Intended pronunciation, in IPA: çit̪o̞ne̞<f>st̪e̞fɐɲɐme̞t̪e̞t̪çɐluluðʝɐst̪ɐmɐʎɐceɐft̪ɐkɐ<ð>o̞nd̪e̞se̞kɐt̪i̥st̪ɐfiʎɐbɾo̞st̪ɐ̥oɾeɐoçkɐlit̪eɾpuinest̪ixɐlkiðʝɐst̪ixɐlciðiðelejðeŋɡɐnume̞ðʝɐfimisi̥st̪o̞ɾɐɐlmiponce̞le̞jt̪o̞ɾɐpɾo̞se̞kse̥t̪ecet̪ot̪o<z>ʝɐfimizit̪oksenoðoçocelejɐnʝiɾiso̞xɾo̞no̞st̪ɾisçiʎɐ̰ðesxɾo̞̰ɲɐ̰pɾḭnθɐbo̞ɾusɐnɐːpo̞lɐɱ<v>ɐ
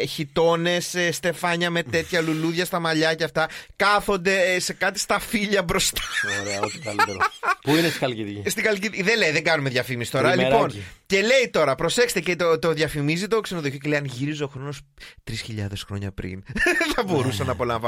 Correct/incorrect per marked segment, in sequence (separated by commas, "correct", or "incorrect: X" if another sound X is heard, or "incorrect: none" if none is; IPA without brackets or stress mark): incorrect: s, incorrect: θ, incorrect: ð, correct